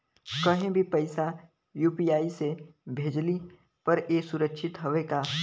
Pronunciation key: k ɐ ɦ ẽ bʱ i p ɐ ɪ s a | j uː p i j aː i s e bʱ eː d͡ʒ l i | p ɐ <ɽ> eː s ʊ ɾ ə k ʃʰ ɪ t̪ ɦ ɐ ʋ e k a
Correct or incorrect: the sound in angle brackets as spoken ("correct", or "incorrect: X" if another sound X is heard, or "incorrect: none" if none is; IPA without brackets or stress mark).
incorrect: ɾ